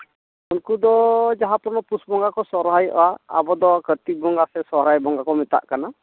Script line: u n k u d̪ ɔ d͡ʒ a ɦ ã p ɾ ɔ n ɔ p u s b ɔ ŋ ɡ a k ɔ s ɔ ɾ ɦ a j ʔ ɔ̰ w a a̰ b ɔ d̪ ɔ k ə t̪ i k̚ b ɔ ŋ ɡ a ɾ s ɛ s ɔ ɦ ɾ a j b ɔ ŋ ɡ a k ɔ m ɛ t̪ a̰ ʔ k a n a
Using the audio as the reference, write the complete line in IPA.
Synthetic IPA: u n k u d̪ ɔ d͡ʒ a ɦ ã p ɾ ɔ n ɔ p u s b ɔ ŋ ɡ a k ɔ s ɔ ɾ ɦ a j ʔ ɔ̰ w a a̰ b ɔ d̪ ɔ k ə t̪ i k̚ b ɔ ŋ ɡ a s ɛ s ɔ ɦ ɾ a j b ɔ ŋ ɡ a k ɔ m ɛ t̪ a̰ ʔ k a n a